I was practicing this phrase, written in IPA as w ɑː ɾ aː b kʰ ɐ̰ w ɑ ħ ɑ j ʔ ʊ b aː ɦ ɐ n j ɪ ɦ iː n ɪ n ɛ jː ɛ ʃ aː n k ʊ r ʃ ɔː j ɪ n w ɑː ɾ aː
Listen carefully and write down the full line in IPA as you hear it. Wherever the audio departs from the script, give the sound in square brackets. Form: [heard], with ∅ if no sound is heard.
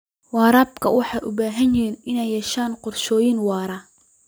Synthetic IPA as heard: w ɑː ɾ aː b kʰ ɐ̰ w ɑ ħ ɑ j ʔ ʊ b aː ɦ ɐ n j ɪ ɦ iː n ɪ n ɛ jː ɛ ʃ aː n [q] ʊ r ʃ ɔː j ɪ n w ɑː ɾ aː